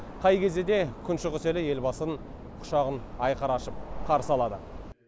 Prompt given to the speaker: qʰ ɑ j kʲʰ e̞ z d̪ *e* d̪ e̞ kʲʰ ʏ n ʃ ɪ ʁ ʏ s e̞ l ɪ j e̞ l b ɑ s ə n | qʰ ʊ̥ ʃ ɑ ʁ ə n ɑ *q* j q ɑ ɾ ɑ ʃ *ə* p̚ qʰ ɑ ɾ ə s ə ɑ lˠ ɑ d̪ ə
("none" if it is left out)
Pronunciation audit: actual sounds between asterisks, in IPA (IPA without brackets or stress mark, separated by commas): e, none, ə